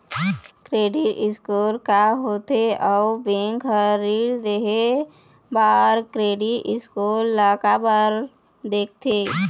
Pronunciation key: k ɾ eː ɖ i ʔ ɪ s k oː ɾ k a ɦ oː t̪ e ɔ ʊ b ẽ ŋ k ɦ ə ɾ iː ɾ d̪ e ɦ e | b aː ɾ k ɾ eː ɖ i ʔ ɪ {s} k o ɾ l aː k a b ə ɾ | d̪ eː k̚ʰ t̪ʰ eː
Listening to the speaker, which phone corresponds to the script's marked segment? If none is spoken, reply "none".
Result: s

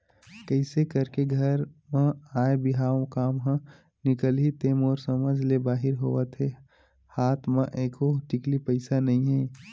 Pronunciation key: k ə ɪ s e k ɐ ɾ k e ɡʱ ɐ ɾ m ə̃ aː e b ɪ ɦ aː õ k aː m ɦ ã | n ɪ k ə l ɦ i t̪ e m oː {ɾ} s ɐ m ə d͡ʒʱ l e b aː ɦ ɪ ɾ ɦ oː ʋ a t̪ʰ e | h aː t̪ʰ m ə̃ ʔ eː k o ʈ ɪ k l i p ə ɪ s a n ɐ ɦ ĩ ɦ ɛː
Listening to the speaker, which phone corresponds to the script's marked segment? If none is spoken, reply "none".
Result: ɾ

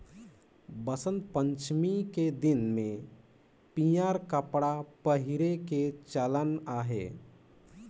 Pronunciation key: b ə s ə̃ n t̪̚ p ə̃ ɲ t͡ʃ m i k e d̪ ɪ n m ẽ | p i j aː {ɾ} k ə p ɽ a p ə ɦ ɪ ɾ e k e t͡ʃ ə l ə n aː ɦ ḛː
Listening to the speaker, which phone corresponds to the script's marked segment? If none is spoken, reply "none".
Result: ɾ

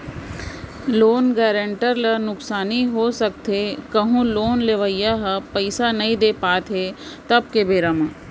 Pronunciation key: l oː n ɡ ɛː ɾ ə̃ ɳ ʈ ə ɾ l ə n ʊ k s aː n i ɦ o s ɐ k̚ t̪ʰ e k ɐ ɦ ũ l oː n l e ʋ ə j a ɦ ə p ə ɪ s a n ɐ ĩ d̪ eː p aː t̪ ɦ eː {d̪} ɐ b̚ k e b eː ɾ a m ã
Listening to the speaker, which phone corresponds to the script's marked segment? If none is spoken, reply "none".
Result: t̪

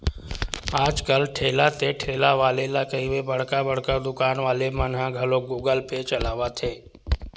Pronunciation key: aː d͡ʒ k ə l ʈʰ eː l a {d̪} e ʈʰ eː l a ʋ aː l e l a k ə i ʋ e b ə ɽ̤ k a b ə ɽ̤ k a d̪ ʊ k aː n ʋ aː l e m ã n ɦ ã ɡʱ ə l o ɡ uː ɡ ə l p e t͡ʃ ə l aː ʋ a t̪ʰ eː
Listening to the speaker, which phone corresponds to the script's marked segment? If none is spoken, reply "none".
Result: t̪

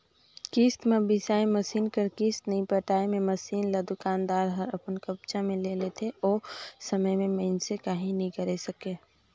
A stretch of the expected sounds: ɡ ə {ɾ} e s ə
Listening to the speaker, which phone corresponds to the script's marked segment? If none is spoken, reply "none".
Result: ɾ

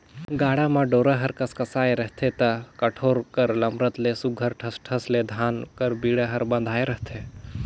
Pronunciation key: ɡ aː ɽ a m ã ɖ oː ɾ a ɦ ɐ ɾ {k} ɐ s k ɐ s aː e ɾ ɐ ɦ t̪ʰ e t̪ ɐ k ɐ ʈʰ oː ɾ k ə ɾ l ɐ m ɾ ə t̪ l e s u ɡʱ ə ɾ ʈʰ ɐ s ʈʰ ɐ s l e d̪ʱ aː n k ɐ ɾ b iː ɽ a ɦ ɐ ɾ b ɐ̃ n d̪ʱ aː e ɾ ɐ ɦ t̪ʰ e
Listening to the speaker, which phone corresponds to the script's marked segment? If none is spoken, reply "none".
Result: k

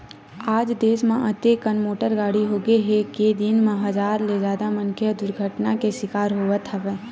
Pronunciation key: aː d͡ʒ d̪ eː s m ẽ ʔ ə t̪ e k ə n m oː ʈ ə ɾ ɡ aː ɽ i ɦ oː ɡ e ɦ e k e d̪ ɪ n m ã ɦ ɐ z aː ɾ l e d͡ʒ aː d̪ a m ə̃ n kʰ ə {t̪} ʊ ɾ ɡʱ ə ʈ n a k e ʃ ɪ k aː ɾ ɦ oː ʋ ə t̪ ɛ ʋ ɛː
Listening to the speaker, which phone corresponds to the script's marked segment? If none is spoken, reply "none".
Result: d̪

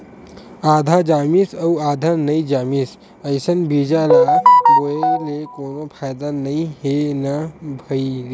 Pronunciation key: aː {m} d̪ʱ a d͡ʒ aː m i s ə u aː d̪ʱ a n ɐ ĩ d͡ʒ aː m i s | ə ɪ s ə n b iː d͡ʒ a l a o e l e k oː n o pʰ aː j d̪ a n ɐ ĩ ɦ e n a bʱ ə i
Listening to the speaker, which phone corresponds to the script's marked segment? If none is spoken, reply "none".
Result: none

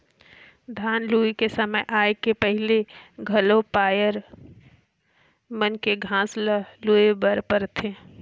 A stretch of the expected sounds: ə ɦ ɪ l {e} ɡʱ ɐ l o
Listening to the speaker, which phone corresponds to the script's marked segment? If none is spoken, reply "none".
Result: e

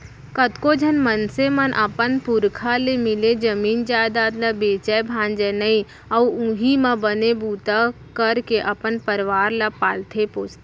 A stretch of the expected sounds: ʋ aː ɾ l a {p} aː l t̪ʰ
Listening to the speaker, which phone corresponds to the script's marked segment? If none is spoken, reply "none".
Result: p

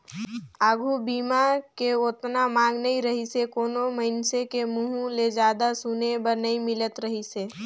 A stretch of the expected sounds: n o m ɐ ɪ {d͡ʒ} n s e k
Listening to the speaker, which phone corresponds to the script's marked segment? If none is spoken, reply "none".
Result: none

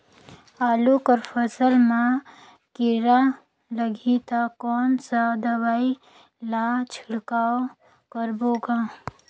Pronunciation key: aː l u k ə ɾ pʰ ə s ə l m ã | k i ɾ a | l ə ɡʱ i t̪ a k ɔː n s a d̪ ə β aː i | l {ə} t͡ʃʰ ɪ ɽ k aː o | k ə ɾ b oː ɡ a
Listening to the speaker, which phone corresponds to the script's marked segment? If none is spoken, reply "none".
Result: a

